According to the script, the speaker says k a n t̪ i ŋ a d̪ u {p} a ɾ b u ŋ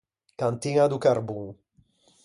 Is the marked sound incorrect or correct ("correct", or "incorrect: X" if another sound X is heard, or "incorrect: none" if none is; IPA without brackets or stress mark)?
incorrect: k